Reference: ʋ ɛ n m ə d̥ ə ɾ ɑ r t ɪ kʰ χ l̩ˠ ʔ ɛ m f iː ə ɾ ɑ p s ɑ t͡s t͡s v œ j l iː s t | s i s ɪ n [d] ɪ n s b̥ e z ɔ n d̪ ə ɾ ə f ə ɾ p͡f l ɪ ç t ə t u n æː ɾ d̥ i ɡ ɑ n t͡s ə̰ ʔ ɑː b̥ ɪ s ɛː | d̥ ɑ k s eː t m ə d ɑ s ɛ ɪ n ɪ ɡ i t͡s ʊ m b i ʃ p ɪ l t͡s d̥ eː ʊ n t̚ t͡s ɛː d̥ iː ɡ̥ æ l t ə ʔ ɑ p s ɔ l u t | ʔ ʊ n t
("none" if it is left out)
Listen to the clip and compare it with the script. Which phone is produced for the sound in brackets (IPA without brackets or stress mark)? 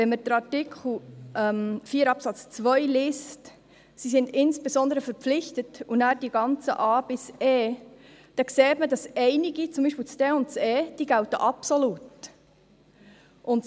d